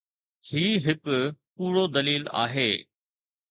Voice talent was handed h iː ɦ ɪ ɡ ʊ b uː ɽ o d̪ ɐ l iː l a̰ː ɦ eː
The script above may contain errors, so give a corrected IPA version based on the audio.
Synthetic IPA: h iː ɦ ɪ k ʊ p uː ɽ o d̪ ɐ l iː l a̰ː ɦ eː

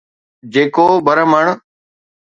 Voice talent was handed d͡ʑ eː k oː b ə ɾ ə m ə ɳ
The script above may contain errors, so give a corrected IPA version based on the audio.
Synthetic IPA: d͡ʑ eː k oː b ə ɾ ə m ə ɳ

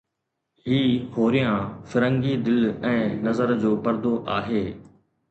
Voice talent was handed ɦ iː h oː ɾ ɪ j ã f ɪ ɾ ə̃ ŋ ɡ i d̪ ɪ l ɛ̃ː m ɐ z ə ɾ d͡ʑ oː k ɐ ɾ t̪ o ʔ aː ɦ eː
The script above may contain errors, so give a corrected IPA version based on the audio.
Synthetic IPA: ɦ iː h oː ɾ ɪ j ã f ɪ ɾ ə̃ ŋ ɡ i d̪ ɪ l ɛ̃ː n ɐ z ə ɾ d͡ʑ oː p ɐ ɾ d̪ o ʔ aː ɦ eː

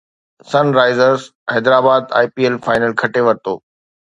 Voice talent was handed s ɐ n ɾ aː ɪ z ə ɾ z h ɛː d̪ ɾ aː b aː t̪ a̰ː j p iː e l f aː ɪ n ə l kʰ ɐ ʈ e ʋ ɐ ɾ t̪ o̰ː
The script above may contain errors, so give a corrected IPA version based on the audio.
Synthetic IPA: s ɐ n ɾ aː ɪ z ə ɾ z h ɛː d̪ ɾ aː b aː d̪ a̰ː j p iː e l f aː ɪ n ə l kʰ ɐ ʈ e ʋ ɐ ɾ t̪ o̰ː

